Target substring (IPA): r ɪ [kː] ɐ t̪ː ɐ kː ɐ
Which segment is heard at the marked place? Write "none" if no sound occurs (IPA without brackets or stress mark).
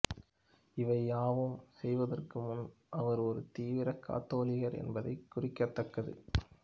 kː